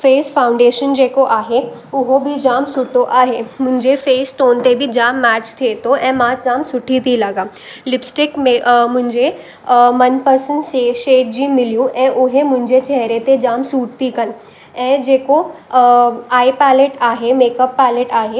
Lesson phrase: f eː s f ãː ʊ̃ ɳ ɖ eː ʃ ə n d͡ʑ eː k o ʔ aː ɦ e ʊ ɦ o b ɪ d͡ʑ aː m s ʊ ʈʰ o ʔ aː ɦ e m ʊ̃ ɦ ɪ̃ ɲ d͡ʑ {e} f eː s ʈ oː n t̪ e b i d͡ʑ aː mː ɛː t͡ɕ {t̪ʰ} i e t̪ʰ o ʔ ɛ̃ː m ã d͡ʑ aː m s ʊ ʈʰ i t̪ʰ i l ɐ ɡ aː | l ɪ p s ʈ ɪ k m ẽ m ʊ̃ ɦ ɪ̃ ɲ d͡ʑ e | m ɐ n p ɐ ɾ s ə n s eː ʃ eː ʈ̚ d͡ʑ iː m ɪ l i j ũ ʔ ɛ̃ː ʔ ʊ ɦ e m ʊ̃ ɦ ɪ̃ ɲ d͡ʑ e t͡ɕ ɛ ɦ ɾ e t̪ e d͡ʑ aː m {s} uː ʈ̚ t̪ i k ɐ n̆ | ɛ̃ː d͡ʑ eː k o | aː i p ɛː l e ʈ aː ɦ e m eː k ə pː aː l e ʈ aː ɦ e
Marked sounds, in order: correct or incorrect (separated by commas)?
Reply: correct, correct, correct